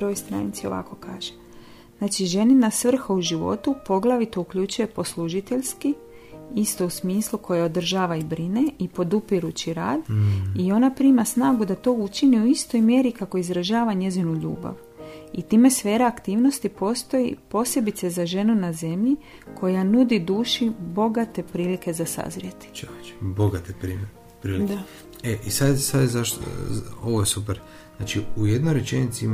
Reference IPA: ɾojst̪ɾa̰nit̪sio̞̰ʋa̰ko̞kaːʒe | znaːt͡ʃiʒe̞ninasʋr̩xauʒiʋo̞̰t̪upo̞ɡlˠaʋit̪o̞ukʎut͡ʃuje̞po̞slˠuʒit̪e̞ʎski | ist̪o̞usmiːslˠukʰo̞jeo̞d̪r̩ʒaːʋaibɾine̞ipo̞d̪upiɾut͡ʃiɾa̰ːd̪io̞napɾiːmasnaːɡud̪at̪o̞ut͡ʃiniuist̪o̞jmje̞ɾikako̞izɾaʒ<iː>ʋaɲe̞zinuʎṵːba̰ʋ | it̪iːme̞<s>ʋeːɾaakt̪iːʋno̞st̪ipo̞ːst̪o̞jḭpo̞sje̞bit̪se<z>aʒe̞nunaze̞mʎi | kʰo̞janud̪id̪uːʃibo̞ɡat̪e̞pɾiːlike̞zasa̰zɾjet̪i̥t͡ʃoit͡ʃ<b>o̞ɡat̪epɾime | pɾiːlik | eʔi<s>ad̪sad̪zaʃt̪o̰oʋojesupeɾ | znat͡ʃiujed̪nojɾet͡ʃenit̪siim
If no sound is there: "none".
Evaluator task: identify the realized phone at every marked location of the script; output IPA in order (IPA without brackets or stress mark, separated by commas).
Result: aː, s, z, b, s